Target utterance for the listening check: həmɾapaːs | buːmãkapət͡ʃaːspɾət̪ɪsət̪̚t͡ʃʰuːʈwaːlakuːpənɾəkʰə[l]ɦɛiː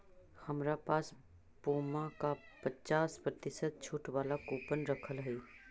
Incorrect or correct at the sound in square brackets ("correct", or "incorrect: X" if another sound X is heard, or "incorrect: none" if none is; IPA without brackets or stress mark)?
correct